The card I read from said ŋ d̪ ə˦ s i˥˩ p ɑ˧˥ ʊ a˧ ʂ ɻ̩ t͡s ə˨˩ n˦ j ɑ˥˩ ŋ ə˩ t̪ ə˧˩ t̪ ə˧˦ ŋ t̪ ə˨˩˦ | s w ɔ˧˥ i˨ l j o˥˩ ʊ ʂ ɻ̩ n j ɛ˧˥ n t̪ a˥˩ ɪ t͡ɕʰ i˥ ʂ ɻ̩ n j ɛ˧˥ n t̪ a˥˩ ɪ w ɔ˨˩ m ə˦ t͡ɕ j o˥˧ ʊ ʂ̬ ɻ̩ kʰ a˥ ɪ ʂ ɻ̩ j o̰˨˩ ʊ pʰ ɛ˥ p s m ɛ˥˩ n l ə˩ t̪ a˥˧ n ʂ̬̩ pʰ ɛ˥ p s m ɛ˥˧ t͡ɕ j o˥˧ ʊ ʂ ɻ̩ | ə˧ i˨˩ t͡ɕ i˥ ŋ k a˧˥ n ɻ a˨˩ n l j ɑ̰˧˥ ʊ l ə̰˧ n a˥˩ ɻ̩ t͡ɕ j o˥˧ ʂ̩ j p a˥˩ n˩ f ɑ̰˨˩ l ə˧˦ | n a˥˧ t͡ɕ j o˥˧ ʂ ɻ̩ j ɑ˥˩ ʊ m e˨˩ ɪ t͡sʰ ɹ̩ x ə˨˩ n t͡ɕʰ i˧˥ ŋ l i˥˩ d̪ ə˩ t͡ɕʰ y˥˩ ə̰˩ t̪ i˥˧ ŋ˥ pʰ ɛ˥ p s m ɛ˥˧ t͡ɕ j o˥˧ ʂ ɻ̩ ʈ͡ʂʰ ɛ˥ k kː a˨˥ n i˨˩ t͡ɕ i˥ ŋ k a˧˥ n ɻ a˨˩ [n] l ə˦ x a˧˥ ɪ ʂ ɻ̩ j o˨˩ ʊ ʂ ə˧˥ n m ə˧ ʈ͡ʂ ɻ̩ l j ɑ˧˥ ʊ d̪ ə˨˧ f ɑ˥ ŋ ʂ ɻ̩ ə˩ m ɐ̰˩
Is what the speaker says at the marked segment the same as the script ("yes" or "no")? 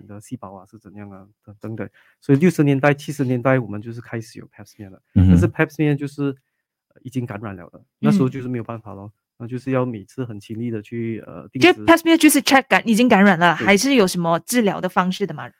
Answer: yes